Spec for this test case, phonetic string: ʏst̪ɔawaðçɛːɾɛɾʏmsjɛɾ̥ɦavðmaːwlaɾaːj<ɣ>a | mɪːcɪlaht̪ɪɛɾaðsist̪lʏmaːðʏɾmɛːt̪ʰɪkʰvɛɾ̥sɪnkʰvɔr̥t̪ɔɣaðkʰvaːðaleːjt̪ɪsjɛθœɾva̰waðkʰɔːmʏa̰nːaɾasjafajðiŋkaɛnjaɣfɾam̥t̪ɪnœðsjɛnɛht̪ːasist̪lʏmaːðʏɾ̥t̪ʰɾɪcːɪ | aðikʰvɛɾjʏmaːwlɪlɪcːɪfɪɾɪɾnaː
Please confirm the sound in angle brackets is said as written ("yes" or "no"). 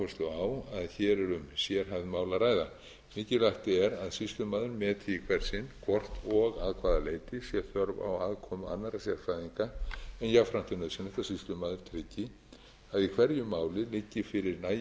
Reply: no